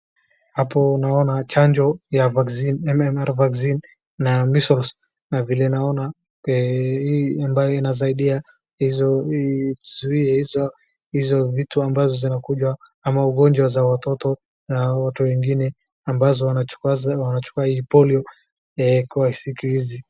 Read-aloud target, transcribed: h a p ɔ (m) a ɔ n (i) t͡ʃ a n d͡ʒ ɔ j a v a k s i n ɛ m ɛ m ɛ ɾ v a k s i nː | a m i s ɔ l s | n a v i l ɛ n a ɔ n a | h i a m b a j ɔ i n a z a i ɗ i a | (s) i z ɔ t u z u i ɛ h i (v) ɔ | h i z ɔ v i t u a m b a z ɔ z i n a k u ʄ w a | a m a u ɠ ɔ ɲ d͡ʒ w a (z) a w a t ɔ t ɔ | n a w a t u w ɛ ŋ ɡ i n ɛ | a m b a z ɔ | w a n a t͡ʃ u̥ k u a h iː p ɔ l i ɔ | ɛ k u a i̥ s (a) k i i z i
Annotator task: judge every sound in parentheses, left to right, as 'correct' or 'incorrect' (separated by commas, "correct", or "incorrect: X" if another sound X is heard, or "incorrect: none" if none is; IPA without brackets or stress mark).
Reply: incorrect: n, incorrect: a, incorrect: h, incorrect: z, correct, incorrect: i